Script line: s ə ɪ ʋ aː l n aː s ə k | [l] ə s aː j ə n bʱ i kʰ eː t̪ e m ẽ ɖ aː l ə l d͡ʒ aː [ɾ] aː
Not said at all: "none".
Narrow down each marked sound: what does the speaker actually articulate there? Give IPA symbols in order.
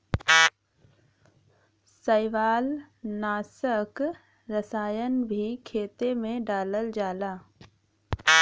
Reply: ɾ, l

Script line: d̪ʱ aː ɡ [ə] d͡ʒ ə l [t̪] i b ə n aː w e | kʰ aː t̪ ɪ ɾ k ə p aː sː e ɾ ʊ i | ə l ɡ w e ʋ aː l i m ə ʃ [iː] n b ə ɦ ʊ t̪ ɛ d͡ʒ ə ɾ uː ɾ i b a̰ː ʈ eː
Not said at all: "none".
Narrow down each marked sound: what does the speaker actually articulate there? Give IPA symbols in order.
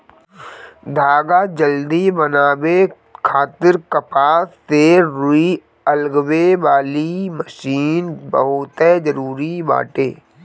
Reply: a, d̪, iː

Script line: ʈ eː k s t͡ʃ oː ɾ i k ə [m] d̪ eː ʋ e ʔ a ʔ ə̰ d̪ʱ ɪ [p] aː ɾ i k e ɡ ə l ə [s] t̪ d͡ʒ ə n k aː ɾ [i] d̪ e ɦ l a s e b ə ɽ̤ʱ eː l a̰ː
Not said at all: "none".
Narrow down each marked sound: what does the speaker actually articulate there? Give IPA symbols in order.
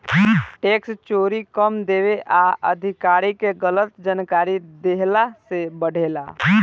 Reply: m, k, none, i

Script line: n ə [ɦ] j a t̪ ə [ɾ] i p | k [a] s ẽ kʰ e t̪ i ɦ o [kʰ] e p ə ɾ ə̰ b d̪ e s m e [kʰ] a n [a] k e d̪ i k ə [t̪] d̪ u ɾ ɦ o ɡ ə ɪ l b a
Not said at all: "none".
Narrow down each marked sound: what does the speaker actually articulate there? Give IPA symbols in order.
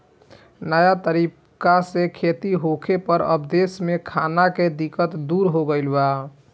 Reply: none, ɾ, a, kʰ, kʰ, a, t̪

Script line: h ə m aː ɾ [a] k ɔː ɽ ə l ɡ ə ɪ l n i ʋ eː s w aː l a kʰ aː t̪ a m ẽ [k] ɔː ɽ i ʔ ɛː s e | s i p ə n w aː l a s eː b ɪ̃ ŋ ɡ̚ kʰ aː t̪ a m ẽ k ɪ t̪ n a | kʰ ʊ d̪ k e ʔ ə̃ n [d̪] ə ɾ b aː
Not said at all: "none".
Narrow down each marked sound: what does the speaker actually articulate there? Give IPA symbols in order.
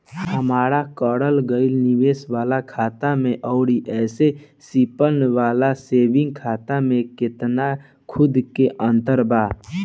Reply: a, ʔ, t̪

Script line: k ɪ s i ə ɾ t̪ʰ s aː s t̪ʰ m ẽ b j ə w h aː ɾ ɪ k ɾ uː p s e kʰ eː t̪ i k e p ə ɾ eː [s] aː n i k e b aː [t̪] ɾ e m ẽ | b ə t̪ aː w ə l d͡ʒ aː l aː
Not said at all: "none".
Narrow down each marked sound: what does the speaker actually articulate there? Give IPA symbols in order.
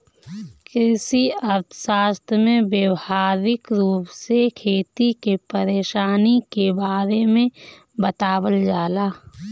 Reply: ʃ, none

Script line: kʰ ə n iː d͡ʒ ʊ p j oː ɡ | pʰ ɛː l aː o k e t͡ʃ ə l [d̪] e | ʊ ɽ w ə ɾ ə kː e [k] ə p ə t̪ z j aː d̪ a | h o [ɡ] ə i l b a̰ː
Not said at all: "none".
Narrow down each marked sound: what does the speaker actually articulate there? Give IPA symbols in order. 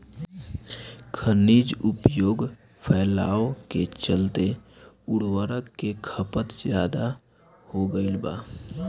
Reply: t̪, kʰ, ɡ

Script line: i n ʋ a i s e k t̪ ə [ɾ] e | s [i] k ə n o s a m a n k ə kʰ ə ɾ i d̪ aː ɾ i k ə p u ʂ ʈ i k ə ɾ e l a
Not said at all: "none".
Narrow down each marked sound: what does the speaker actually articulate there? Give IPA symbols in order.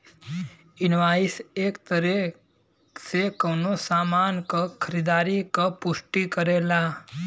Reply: ɾ, e

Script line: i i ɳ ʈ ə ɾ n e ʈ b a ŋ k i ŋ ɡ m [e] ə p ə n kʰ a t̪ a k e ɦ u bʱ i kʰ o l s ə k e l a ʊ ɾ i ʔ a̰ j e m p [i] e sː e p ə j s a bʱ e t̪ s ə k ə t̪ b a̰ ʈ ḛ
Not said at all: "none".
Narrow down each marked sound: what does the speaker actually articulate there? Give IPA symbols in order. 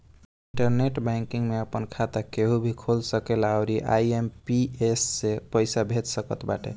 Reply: e, i

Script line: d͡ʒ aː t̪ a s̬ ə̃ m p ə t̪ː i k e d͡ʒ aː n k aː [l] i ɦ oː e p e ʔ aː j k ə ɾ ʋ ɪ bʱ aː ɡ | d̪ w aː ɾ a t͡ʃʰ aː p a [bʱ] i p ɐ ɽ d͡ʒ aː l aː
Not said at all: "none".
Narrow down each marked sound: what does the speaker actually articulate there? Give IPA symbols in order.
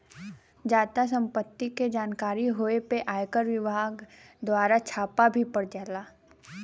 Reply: ɾ, bʱ

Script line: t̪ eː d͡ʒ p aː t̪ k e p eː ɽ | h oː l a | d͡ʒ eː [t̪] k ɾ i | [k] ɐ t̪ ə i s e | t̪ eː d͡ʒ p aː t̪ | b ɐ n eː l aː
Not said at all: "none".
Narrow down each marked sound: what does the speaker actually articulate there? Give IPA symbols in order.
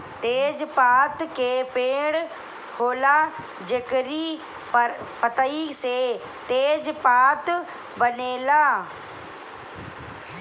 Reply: none, p

